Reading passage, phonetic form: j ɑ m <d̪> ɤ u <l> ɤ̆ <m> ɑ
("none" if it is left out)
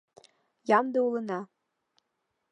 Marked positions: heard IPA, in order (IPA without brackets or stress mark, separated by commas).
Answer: d̪, l, n